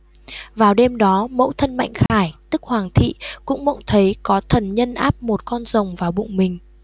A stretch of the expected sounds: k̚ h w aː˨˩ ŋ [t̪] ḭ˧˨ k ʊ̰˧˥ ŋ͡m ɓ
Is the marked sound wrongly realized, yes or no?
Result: yes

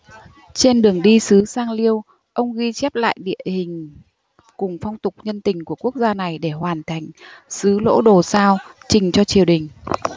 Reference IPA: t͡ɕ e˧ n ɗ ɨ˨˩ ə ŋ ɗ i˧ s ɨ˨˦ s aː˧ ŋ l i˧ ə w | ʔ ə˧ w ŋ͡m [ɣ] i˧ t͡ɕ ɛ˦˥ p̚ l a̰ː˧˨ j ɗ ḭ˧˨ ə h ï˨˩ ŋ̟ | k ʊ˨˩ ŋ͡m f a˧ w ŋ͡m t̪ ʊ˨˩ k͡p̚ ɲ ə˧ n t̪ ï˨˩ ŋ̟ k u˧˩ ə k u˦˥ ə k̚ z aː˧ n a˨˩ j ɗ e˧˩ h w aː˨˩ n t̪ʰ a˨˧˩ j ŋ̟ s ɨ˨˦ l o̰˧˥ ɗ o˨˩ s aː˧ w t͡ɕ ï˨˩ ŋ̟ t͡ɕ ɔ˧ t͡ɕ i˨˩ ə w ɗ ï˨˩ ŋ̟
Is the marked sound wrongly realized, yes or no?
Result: no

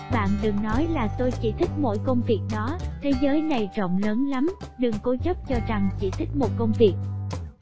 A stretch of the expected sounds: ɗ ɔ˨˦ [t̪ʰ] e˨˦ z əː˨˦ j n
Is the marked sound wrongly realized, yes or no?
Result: no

